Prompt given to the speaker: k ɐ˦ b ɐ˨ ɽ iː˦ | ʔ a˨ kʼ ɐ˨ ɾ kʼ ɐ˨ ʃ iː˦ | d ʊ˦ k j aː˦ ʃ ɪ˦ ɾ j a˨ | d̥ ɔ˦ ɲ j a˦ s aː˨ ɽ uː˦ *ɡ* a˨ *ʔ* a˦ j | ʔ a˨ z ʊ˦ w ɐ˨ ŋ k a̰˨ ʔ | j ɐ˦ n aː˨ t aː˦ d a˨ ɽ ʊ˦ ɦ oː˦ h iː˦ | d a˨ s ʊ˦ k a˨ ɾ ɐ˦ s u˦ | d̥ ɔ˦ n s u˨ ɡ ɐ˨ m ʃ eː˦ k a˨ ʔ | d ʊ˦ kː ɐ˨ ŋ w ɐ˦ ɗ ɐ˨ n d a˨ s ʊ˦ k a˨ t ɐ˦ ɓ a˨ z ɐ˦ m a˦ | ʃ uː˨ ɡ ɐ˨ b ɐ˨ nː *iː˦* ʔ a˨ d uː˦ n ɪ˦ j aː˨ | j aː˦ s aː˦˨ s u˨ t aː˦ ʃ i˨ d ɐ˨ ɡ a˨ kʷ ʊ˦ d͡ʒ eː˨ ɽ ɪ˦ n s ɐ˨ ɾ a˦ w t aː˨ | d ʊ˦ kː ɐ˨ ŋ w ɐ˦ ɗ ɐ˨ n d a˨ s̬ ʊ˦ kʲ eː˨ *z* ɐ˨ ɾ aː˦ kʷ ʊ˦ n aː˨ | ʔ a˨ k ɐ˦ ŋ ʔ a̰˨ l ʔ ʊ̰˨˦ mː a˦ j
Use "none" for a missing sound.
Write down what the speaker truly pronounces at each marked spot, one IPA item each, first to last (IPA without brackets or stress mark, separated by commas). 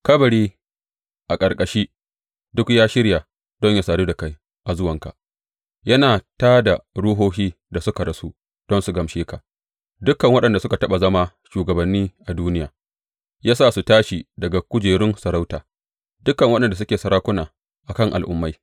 d, k, iː˦, s